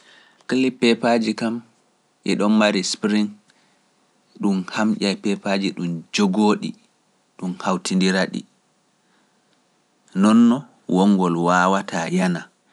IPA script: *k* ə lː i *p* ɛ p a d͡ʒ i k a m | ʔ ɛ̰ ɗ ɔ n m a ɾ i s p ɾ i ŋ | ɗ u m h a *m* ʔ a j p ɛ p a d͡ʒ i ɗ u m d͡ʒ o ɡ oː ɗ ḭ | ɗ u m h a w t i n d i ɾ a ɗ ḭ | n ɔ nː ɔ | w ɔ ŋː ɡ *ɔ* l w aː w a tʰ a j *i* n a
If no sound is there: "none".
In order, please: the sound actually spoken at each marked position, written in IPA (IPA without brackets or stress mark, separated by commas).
k, p, m, ɔ, a